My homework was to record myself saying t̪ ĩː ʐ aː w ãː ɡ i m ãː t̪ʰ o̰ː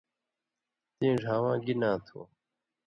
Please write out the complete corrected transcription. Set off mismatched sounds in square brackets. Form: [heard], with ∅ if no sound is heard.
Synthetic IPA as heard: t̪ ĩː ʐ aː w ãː ɡ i [n] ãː t̪ʰ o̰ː